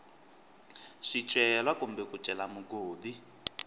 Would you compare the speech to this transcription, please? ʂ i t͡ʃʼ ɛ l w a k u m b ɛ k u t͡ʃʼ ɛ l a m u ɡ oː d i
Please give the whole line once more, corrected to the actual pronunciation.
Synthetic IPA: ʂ i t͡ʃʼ ɛ l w a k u m b ɛ k u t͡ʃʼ ɛ l a m u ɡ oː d i